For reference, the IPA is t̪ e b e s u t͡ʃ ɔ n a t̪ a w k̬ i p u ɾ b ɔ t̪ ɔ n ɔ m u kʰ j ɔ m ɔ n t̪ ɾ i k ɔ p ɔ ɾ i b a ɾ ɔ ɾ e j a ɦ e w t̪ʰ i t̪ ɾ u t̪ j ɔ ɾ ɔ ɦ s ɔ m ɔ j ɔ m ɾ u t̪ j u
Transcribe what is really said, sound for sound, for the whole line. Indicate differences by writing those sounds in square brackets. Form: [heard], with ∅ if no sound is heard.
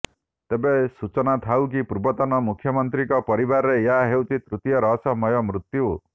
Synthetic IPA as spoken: t̪ e b e s u t͡ʃ ɔ n a [t̪ʰ] a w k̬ i p u ɾ b ɔ t̪ ɔ n ɔ m u kʰ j ɔ m ɔ n t̪ ɾ i k ɔ p ɔ ɾ i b a ɾ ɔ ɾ e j a ɦ e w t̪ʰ i t̪ ɾ u t̪ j ɔ ɾ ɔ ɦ s ɔ m ɔ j ɔ m ɾ u t̪ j u

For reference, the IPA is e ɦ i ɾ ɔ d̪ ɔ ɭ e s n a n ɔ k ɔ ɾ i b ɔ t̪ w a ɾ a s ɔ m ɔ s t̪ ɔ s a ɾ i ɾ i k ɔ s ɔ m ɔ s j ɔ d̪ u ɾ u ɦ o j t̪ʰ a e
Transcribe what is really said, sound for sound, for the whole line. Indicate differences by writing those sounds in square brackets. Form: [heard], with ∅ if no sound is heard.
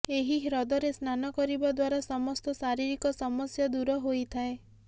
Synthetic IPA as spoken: e ɦ i ɾ ɔ d̪ ɔ [ɾ] e s n a n ɔ k ɔ ɾ i b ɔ [d̪] w a ɾ a s ɔ m ɔ s t̪ ɔ s a ɾ i ɾ i k ɔ s ɔ m ɔ s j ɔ d̪ u ɾ [ɔ] ɦ o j t̪ʰ a e

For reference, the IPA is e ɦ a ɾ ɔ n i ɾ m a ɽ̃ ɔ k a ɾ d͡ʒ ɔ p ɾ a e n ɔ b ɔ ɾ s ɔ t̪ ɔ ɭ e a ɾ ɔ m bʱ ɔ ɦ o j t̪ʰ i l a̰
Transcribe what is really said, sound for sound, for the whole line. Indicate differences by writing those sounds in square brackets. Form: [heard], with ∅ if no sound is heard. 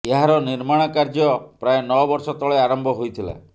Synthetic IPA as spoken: e ɦ a ɾ ɔ n i ɾ m a ɽ̃ ɔ k a ɾ d͡ʒ ɔ p ɾ a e n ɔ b ɔ ɾ s ɔ t̪ ɔ ɭ e a ɾ ɔ m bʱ ɔ ɦ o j t̪ʰ i l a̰

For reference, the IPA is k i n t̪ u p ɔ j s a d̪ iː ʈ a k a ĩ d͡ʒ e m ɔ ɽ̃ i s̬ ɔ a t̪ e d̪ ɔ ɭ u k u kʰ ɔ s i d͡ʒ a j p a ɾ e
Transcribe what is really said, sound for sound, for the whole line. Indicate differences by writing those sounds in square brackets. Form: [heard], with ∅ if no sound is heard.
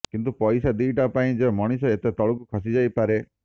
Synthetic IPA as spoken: k i n t̪ u p ɔ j s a d̪ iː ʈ a [p] a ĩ d͡ʒ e m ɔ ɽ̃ i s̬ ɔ [e] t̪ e [t̪] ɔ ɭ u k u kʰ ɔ s i d͡ʒ a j p a ɾ e

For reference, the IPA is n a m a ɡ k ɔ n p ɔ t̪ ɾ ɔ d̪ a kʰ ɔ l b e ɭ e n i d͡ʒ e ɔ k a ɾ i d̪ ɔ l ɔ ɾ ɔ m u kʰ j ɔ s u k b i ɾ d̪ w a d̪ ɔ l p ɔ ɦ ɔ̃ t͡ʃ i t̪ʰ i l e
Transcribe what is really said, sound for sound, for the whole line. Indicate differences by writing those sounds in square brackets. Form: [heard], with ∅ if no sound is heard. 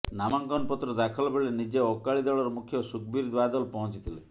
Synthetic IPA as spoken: n a m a [ŋ] k ɔ n p ɔ t̪ ɾ ɔ d̪ a kʰ ɔ l b e ɭ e n i d͡ʒ e ɔ k a [ɭ] i d̪ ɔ [ɭ] ɔ ɾ ɔ m u kʰ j ɔ s u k b i ɾ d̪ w a d̪ ɔ l p ɔ ɦ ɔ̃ t͡ʃ i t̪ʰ i l e

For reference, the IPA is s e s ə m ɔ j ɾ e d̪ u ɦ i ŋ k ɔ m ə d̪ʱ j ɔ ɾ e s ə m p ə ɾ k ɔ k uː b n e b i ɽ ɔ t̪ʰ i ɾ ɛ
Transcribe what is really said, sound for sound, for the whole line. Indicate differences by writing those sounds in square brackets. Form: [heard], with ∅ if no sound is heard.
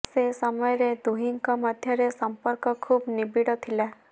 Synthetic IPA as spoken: s e s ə m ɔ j ɾ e d̪ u ɦ i ŋ k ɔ m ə d̪ʱ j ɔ ɾ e s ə m p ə ɾ k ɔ [kʰ] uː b n [i] b i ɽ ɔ t̪ʰ i [l] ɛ

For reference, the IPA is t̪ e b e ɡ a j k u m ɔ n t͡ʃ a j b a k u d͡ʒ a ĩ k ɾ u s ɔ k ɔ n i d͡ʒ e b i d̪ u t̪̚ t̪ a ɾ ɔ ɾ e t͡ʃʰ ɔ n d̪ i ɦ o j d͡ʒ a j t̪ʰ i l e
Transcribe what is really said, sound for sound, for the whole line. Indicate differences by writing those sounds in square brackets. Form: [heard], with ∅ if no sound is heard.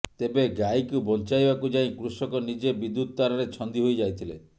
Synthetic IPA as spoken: t̪ e b e ɡ a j k u [b] ɔ n t͡ʃ a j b a k u d͡ʒ a ĩ k ɾ u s ɔ k ɔ n i d͡ʒ e b i d̪ u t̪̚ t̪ a ɾ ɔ ɾ e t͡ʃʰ ɔ n d̪ i ɦ o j d͡ʒ a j t̪ʰ i l e

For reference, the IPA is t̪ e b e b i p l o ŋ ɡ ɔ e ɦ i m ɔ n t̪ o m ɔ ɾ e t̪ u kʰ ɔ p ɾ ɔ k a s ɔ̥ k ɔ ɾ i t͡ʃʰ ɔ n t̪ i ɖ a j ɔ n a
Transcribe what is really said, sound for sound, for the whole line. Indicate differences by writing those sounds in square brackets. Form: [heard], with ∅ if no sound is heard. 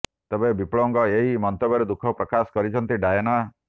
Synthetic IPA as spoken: t̪ e b e b i p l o ŋ ɡ ɔ e ɦ i m ɔ n t̪ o [b] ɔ ɾ e [d̪] u kʰ ɔ p ɾ ɔ k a s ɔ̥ k ɔ ɾ i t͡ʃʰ ɔ n t̪ i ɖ a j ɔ n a

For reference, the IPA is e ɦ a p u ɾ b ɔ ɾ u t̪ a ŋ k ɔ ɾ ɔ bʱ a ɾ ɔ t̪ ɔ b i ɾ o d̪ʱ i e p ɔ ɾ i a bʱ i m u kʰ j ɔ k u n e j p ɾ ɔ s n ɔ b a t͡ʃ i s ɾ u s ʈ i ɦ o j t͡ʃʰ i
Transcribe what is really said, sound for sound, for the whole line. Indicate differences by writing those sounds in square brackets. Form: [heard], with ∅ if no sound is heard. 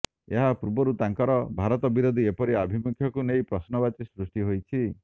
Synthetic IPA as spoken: e ɦ a p u ɾ b ɔ ɾ u t̪ a ŋ k ɔ ɾ ɔ bʱ a ɾ ɔ t̪ ɔ b i ɾ o d̪ʱ i e p ɔ ɾ i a bʱ i m u kʰ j ɔ k u n e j p ɾ ɔ s n ɔ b a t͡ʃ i s ɾ u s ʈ i ɦ o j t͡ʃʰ i

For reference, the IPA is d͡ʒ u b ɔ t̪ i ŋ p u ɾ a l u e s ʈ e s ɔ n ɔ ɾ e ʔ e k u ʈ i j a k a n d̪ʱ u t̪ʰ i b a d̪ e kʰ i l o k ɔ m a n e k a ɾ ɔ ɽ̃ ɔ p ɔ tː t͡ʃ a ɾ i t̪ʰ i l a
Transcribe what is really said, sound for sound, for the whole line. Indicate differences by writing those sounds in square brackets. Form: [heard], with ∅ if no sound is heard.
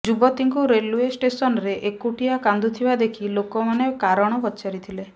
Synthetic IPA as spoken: d͡ʒ u b ɔ t̪ i ŋ [k] u ɾ [e] l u e s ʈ e s ɔ n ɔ ɾ e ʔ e k u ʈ i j a k a n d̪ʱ u t̪ʰ i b a d̪ e kʰ i l o k ɔ m a n e k a ɾ ɔ ɽ̃ ɔ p ɔ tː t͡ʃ a ɾ i t̪ʰ i l [e]

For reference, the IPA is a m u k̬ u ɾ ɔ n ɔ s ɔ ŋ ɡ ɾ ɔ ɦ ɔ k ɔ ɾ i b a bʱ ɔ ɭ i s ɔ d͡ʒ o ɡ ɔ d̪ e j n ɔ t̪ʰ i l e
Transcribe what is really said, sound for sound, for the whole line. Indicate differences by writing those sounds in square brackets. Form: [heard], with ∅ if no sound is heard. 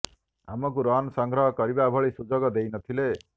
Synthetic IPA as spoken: a m [ɔ] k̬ u ɾ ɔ n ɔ s ɔ ŋ ɡ ɾ ɔ ɦ ɔ k ɔ ɾ i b a bʱ ɔ ɭ i s [u] d͡ʒ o ɡ ɔ d̪ e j n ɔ t̪ʰ i l e

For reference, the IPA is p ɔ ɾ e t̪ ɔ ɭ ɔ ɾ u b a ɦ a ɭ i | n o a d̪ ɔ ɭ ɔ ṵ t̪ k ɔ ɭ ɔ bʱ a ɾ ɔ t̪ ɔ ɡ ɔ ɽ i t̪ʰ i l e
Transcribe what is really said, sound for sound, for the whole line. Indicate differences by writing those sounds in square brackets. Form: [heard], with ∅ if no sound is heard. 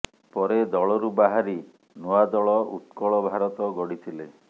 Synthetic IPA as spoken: p ɔ ɾ e [d̪] ɔ ɭ ɔ ɾ u b a ɦ a [ɾ] i | n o a d̪ ɔ ɭ ɔ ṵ t̪ k ɔ ɭ ɔ bʱ a ɾ ɔ t̪ ɔ ɡ ɔ ɽ i t̪ʰ i l e

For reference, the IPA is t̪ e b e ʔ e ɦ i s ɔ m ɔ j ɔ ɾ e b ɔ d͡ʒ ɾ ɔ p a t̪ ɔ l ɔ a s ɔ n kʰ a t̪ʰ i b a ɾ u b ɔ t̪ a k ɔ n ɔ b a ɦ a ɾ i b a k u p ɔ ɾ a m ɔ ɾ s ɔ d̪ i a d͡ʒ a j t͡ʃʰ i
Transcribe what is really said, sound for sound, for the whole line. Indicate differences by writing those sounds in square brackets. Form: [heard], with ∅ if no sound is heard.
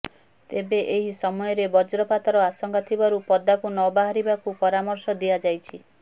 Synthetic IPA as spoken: t̪ e b e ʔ e ɦ i s ɔ m ɔ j ɔ ɾ e b ɔ d͡ʒ ɾ ɔ p a t̪ ɔ [ɾ] ɔ a s ɔ [ŋ] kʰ a t̪ʰ i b a ɾ u [p] ɔ [d̪] a k [u] n ɔ b a ɦ a ɾ i b a k u p ɔ ɾ a m ɔ ɾ s ɔ d̪ i a d͡ʒ a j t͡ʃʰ i

